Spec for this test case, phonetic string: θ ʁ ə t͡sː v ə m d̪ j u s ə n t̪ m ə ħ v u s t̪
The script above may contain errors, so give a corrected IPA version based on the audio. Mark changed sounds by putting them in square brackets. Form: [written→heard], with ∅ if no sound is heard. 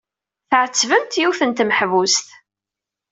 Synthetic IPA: θ [ʁ→ʕ] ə t͡sː v ə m [d̪→t̪] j u [s→θ] ə n t̪ m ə ħ v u s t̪